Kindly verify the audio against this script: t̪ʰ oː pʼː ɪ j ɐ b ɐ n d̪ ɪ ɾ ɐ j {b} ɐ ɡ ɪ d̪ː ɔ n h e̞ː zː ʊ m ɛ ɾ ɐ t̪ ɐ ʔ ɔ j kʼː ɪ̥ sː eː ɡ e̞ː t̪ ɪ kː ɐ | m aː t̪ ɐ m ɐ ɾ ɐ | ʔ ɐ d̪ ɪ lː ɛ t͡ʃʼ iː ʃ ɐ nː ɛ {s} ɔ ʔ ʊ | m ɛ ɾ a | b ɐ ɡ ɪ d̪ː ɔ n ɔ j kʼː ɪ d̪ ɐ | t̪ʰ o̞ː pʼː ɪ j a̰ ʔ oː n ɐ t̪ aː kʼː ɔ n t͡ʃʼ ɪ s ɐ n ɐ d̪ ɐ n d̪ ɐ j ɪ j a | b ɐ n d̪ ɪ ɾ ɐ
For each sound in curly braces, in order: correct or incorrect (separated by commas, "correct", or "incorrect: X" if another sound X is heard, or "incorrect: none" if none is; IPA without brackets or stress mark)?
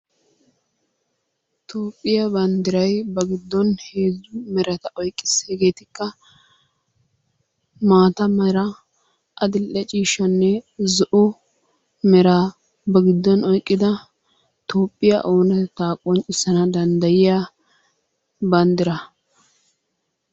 correct, incorrect: z